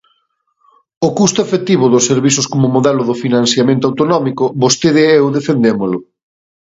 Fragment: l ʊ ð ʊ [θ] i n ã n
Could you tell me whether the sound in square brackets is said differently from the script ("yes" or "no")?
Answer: yes